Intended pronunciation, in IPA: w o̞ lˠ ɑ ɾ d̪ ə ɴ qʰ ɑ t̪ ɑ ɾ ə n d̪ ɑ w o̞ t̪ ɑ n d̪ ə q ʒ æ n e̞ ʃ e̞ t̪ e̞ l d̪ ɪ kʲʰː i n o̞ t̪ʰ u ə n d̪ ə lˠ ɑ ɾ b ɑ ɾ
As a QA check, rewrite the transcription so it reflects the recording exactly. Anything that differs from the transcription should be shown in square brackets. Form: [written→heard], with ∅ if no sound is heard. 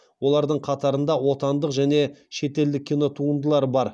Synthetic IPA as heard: w o̞ lˠ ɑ ɾ d̪ ə ɴ qʰ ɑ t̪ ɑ ɾ ə n d̪ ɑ w o̞ t̪ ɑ n d̪ ə q ʒ æ n e̞ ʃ e̞ t̪ e̞ l d̪ ɪ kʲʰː i n o̞ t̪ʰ u ə n d̪ ə lˠ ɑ ɾ b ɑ ɾ